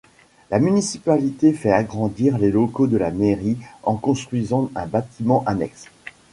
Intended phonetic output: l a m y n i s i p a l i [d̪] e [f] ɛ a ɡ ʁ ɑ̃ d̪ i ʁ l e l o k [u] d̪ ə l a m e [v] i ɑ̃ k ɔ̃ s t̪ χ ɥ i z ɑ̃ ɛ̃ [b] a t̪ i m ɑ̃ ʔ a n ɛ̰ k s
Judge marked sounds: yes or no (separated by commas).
no, yes, no, no, yes